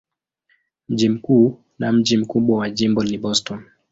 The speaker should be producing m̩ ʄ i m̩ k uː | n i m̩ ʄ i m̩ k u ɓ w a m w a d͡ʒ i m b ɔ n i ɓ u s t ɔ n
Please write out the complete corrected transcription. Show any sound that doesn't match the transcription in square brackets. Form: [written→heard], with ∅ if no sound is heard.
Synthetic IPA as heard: m̩ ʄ i m̩ k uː | n [i→a] m̩ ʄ i m̩ k u ɓ w a [m→∅] w a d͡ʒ i m b ɔ n i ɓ [u→ɔ] s t ɔ n